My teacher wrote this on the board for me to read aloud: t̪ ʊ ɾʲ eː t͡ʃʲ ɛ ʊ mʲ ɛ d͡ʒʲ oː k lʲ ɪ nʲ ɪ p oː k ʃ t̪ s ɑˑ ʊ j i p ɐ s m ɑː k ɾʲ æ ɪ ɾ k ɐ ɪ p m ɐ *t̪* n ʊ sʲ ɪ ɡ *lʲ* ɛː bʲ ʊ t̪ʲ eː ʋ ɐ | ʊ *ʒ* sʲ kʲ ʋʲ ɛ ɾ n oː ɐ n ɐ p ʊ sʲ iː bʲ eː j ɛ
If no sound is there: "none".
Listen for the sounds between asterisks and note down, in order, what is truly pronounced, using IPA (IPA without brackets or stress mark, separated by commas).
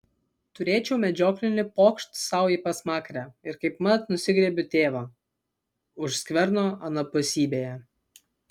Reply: t̪, ɾʲ, ʃ